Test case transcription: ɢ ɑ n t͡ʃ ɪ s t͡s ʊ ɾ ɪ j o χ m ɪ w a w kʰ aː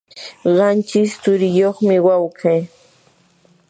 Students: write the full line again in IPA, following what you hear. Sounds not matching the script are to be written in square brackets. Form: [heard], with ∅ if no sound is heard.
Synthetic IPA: ɢ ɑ n t͡ʃ ɪ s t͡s ʊ ɾ ɪ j o χ m ɪ w a w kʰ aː